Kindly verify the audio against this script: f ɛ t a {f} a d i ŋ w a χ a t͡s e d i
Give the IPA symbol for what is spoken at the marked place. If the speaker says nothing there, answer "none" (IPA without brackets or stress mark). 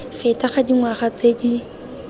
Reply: χ